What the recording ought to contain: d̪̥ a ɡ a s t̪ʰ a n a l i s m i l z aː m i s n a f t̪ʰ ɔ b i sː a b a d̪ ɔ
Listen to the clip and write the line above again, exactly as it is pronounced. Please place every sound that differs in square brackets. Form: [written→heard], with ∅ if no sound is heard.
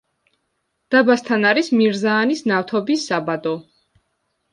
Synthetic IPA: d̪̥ a [ɡ→b] a s t̪ʰ a n a [l→ɾ] i s m i [l→ɾ] z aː [m→n] i s n a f t̪ʰ ɔ b i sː a b a d̪ ɔ